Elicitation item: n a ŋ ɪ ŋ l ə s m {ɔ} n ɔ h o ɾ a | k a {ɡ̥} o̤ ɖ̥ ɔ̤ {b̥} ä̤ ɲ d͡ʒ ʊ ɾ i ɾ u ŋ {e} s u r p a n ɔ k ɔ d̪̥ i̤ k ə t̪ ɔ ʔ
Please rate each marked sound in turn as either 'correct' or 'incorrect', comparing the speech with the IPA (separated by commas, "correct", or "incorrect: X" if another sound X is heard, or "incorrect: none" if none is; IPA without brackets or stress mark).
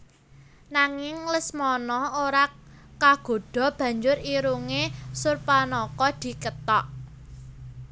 correct, correct, correct, correct